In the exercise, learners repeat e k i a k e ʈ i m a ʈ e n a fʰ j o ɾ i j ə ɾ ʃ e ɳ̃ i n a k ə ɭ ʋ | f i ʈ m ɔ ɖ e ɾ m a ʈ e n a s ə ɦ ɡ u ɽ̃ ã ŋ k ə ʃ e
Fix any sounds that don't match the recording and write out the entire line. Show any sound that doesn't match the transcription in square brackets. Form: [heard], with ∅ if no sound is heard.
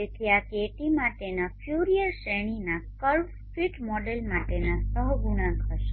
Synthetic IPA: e k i a k e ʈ i m a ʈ e n a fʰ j [u] ɾ i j ə ɾ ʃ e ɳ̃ i n a k ə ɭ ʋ | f i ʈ m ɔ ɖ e [l] m a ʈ e n a s ə ɦ ɡ u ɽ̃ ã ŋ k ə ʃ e

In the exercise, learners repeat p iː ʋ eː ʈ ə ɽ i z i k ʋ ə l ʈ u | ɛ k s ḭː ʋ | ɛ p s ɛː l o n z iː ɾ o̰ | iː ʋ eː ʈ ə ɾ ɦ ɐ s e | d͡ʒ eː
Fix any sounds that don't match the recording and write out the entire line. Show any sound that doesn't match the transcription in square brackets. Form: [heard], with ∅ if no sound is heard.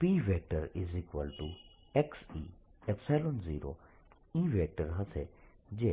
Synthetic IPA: p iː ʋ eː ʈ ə [ɾ] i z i k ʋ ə l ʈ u | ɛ k s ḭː [∅] | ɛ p s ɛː l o n z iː ɾ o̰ | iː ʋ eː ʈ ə ɾ ɦ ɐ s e | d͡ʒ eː

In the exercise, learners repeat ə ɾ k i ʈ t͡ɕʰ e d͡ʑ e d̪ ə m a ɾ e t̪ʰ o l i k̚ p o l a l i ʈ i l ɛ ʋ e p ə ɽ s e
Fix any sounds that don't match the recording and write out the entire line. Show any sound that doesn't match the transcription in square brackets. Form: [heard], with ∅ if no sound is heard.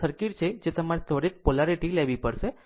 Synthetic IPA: ə ɾ k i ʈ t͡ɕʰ e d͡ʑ e [t̪] ə m a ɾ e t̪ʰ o [ɽ] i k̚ p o l a [ɾ] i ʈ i l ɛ ʋ [i] p ə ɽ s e

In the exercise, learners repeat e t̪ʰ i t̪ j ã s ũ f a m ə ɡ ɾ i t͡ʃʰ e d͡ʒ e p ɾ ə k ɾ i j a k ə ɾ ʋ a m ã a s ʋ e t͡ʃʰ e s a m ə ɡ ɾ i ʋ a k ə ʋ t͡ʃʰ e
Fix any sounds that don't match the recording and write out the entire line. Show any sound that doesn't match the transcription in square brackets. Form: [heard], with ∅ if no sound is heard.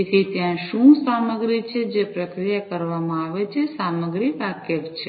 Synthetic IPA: e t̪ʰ i t̪ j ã [ʃ] ũ [s] a m ə ɡ ɾ i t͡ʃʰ e d͡ʒ e p ɾ ə k ɾ i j a k ə ɾ ʋ a m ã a [∅] ʋ e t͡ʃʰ e s a m ə ɡ ɾ i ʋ a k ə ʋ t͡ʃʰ e

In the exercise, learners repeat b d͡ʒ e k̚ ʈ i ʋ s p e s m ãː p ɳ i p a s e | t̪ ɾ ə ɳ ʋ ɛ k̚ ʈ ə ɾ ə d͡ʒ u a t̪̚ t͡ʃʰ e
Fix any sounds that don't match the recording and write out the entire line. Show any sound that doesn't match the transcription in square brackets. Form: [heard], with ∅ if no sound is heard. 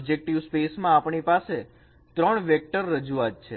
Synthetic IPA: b d͡ʒ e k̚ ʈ i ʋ s p e s m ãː p ɳ i p a s e | t̪ ɾ ə ɳ ʋ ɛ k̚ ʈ ə [ɾː] ə d͡ʒ u a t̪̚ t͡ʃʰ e

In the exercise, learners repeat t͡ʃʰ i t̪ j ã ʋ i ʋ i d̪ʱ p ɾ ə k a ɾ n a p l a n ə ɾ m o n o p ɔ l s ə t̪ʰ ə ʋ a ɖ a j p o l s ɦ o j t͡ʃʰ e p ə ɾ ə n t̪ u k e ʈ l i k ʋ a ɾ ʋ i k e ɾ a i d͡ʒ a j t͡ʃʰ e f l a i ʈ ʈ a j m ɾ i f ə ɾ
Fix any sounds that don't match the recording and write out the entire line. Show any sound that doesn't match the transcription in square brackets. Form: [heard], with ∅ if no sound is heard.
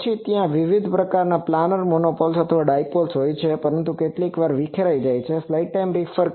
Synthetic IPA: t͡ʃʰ i t̪ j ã ʋ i ʋ i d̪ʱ p ɾ ə k a ɾ n a p l a n ə ɾ m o n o p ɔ l s ə t̪ʰ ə ʋ a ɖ a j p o l s ɦ o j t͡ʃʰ e p ə ɾ ə n t̪ u k e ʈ l i k ʋ a ɾ ʋ i [kʰ] e ɾ a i d͡ʒ a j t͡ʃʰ e f l a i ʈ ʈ a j m ɾ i f ə ɾ

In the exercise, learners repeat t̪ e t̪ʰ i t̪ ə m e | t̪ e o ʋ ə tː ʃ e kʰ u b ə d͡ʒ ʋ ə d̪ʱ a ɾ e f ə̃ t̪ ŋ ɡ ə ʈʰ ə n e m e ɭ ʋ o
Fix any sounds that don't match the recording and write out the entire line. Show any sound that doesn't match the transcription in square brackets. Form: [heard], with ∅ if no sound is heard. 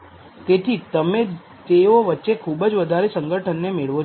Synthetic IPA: t̪ e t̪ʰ i t̪ ə m e | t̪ e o ʋ ə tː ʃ e kʰ u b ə d͡ʒ ʋ ə d̪ʱ a ɾ e [s] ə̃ [∅] ŋ ɡ ə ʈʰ ə [nː] e m e ɭ ʋ o

